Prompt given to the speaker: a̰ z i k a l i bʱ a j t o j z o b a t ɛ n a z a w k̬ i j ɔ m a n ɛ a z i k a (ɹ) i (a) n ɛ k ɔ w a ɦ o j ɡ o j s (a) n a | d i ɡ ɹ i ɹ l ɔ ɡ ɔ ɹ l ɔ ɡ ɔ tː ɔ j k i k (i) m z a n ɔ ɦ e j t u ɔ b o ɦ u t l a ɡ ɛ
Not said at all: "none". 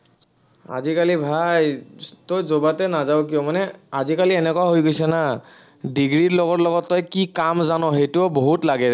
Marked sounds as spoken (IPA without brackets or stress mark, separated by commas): l, ɛ, ɛ, a